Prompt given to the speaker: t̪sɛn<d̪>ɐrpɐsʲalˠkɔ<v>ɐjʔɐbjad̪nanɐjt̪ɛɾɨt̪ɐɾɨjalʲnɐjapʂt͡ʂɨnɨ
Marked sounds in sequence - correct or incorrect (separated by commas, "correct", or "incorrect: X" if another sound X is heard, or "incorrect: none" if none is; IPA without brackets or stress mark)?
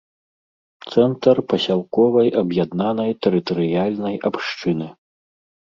incorrect: t̪, correct